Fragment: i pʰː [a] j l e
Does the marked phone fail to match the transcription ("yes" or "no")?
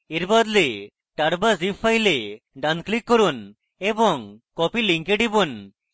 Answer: no